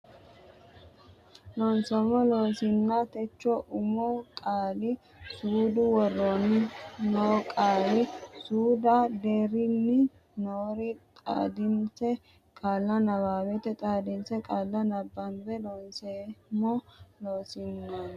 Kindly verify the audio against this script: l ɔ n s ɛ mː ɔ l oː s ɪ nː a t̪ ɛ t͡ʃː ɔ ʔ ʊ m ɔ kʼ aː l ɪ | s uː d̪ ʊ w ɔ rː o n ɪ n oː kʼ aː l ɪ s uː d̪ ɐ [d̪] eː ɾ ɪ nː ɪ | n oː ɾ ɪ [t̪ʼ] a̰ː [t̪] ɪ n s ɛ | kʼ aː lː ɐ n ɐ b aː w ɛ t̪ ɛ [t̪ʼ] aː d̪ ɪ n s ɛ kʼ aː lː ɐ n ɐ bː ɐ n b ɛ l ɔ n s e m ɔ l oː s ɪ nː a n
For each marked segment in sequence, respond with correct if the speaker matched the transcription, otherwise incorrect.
correct, correct, incorrect: d̪, correct

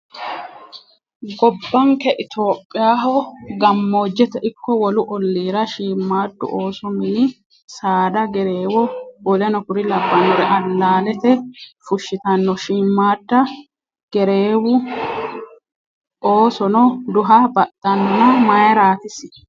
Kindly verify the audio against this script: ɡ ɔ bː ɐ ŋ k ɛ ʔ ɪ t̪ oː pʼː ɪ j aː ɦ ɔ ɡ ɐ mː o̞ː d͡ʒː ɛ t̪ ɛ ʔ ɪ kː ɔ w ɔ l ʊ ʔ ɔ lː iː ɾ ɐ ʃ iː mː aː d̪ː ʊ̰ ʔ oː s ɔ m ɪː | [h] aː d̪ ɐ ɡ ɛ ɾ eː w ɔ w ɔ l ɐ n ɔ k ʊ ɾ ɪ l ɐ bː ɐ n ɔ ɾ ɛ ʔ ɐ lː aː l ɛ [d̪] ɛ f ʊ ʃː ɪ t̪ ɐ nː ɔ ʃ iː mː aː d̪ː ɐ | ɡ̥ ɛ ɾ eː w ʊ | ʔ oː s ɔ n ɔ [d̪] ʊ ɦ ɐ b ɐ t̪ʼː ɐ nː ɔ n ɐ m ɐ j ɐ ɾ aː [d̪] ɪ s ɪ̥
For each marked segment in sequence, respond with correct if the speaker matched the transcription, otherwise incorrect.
incorrect: s, incorrect: t̪, correct, incorrect: t̪

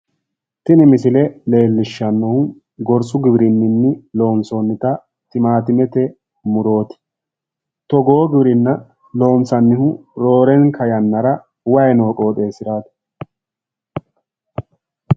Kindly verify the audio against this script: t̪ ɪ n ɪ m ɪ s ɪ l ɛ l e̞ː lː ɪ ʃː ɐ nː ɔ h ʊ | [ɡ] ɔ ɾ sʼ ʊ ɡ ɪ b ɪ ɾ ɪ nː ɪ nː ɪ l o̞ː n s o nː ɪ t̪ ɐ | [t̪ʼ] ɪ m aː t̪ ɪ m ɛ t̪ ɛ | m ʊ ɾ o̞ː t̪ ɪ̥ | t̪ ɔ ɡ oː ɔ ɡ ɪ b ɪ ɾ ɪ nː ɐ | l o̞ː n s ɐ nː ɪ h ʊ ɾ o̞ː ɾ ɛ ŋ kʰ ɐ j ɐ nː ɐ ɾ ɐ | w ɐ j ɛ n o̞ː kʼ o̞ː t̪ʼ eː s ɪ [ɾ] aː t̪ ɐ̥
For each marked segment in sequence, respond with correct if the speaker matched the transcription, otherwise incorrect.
correct, incorrect: t̪, correct

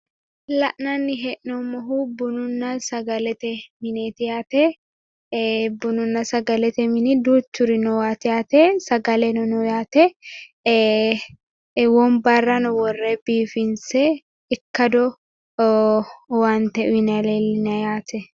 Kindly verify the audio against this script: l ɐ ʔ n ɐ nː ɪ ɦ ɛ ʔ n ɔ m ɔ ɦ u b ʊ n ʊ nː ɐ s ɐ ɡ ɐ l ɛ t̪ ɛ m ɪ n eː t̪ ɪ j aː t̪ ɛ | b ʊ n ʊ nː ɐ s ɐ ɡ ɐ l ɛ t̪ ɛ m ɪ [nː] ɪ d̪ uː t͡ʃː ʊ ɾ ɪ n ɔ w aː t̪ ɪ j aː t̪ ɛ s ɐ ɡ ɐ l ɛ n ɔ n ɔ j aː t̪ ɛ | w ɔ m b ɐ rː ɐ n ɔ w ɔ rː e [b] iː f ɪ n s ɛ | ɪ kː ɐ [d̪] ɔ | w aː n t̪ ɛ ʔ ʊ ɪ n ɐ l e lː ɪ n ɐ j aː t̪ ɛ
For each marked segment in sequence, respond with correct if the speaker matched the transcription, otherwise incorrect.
incorrect: n, correct, correct

